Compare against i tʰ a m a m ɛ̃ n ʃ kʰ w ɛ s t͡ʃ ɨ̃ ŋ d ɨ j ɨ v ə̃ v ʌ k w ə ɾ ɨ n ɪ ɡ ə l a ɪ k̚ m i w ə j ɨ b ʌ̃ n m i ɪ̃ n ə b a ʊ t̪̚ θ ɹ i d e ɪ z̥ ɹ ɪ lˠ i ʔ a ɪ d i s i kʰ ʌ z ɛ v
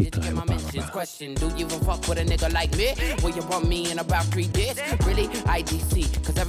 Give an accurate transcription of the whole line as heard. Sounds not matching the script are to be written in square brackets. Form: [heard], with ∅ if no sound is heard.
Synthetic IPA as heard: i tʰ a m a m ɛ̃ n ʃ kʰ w ɛ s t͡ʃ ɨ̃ [n] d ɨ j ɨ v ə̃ [f] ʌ k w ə ɾ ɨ n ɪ ɡ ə l a ɪ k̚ m i w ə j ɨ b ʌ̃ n m i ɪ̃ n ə b a ʊ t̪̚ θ ɹ i d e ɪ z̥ ɹ ɪ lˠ i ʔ a ɪ d i s i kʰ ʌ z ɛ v